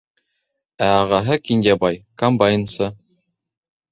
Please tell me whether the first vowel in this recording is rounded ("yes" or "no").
no